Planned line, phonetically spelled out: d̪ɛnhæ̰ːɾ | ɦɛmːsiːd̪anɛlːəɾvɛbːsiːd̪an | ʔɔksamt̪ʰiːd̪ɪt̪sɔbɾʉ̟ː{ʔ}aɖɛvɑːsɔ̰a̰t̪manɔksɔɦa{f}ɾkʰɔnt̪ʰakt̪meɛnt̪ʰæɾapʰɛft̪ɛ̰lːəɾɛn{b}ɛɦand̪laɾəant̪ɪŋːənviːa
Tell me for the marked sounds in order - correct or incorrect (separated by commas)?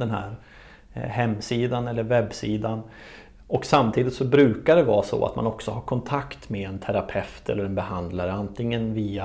incorrect, incorrect, correct